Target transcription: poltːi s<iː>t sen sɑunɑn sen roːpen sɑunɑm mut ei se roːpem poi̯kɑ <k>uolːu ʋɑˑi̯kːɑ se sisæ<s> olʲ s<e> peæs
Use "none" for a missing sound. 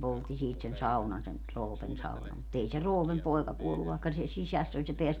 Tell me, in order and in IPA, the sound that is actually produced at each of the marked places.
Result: iː, k, sː, e

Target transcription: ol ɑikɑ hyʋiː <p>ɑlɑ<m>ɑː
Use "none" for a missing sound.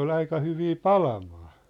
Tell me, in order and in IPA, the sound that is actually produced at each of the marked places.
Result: p, m

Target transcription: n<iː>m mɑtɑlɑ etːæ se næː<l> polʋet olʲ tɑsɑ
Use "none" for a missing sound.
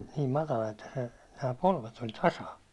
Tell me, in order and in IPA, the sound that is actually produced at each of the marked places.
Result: iː, none

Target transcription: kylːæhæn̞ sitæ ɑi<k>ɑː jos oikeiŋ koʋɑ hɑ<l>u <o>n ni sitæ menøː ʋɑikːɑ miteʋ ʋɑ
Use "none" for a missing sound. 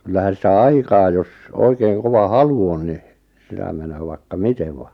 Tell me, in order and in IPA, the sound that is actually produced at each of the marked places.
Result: k, l, o

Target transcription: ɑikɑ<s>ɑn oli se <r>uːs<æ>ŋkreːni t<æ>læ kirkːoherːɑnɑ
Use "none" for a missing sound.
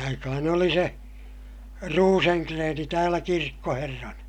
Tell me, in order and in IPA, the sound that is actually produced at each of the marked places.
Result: h, r, e, æː

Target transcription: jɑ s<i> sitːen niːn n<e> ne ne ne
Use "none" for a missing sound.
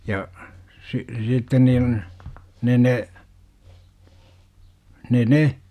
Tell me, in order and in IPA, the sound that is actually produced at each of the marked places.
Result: i, e

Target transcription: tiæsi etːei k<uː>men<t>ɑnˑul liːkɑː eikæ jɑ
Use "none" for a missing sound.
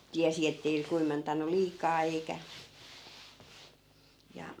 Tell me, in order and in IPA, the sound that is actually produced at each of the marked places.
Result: uː, t

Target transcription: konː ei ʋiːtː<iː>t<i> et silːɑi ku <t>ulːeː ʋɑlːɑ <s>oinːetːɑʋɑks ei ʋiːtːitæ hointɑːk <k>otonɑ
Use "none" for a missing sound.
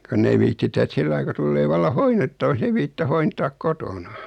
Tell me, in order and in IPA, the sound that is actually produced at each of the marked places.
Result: i, æ, t, h, k

